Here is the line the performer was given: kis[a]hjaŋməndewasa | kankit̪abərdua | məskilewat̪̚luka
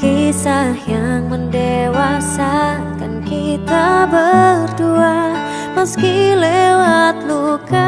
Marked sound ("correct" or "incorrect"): correct